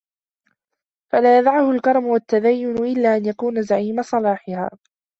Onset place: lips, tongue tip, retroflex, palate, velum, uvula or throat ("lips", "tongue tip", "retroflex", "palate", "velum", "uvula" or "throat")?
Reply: lips